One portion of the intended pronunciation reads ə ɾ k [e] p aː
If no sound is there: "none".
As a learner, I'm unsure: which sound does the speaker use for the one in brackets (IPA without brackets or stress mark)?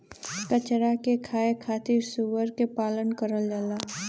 e